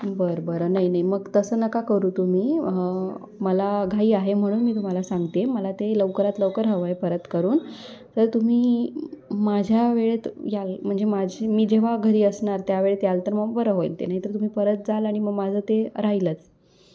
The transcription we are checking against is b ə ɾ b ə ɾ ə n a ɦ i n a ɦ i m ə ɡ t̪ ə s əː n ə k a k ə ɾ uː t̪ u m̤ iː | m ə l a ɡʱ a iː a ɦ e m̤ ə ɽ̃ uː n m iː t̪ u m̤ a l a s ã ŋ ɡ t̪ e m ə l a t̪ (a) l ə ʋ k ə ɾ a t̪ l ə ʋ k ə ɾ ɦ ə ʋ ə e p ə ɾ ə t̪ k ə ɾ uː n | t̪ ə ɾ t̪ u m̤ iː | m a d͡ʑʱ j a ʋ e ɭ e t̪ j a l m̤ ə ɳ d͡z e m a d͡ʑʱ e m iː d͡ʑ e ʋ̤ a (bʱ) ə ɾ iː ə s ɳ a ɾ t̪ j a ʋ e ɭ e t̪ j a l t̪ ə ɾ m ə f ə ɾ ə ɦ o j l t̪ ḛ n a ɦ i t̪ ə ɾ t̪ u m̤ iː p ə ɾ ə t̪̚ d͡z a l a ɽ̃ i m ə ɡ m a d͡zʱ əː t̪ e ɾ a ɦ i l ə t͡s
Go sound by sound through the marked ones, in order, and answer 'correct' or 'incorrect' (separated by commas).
incorrect, incorrect